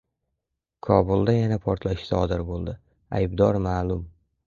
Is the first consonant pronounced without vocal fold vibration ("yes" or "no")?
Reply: yes